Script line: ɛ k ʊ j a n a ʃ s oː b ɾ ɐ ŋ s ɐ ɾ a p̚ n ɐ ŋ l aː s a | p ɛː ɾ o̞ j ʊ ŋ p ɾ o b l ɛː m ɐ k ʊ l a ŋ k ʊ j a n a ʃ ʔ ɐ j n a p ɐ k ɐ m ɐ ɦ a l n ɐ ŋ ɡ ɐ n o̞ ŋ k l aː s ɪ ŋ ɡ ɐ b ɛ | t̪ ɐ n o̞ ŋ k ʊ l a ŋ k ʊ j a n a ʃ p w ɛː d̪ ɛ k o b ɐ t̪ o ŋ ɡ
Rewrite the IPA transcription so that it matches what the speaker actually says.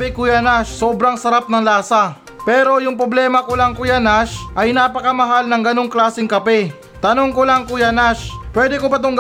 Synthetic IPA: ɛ k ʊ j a n a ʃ s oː b ɾ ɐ ŋ s ɐ ɾ a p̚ n ɐ ŋ l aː s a | p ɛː ɾ o̞ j ʊ ŋ p ɾ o b l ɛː m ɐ k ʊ l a ŋ k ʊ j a n a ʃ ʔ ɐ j n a p ɐ k ɐ m ɐ ɦ a l n ɐ ŋ ɡ ɐ n o̞ ŋ k l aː s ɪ ŋ k ɐ p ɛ | t̪ ɐ n o̞ ŋ k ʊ l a ŋ k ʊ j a n a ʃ p w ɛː d̪ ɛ k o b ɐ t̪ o ŋ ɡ